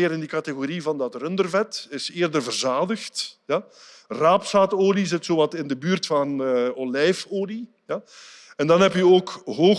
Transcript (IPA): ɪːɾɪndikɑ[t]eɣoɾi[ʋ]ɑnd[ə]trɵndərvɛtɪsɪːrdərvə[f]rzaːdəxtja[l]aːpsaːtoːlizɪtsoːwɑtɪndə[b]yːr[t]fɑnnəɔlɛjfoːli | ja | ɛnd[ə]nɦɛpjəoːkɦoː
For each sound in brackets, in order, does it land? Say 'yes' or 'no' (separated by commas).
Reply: yes, no, no, no, no, yes, yes, no